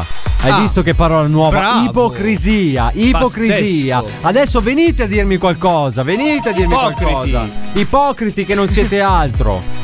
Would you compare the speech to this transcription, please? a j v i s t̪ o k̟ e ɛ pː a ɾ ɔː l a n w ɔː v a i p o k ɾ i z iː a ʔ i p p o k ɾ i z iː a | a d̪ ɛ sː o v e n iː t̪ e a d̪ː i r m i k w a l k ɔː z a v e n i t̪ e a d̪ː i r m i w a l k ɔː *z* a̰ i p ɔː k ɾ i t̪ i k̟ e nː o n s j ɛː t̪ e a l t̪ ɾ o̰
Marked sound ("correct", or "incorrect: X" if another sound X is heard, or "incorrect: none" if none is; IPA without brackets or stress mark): correct